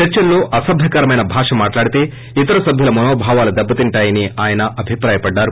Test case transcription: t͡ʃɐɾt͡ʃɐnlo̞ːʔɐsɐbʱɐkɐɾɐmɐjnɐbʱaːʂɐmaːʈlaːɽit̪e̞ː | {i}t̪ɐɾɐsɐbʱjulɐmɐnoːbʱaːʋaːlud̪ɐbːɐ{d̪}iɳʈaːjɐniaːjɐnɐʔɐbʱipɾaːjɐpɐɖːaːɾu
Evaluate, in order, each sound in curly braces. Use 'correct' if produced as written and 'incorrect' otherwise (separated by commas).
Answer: correct, incorrect